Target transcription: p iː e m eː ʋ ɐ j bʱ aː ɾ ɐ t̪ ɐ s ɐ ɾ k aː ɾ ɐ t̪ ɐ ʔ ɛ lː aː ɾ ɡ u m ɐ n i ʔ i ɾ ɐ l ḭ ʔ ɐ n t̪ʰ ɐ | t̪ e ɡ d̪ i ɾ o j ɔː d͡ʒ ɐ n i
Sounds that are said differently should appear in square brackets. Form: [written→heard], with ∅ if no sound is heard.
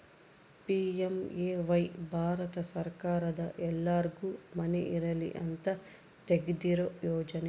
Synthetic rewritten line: p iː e m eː ʋ ɐ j bʱ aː ɾ ɐ t̪ ɐ s ɐ ɾ k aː ɾ ɐ [t̪→d̪] ɐ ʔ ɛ lː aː ɾ ɡ u m ɐ n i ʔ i ɾ ɐ l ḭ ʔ ɐ n [t̪ʰ→t̪] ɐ | t̪ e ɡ d̪ i ɾ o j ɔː d͡ʒ ɐ n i